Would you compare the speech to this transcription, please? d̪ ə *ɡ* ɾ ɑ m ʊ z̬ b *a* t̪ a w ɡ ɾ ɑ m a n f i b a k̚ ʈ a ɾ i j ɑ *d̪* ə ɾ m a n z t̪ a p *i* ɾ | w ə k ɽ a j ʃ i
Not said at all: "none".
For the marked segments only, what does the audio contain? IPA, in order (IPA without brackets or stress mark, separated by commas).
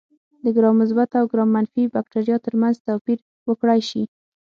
ɡ, a, t̪, i